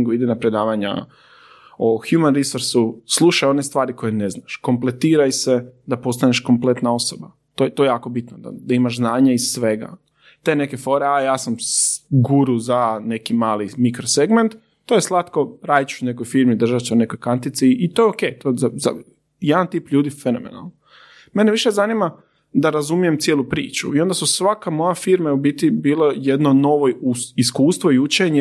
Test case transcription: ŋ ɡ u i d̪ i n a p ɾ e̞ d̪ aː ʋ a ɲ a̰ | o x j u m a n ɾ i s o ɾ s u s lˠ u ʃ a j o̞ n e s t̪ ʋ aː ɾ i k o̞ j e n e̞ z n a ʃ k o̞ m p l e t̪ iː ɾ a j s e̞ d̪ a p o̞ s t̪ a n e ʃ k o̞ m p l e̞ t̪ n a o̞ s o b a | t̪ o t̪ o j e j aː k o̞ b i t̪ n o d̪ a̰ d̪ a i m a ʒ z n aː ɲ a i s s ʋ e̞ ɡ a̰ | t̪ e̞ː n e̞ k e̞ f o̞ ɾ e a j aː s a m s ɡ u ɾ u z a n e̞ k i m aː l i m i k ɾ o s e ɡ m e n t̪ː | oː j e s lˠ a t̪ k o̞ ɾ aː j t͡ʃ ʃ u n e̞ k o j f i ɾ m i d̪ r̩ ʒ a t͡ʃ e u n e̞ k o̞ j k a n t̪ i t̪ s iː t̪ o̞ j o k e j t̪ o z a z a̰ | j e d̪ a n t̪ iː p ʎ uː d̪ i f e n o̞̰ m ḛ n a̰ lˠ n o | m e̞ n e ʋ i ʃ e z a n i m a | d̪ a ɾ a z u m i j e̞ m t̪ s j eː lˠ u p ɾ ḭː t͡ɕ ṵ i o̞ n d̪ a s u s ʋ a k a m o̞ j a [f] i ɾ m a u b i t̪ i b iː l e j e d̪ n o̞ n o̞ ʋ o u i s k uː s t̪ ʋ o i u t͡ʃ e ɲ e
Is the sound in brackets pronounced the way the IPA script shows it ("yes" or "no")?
yes